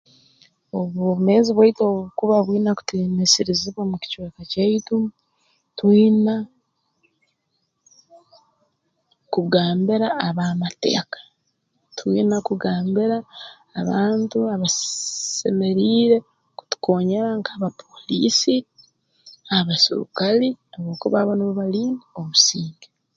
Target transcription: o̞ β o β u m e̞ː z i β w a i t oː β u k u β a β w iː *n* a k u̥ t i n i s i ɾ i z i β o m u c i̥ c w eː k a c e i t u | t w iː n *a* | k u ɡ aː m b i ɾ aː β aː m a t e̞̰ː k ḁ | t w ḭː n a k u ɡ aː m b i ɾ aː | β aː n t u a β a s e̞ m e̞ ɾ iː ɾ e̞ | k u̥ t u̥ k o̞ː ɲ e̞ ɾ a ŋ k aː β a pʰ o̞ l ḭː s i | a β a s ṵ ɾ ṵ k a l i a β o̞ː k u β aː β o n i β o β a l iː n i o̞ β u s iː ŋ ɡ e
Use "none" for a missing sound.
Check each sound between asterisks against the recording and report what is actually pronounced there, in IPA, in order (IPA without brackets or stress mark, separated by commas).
n, a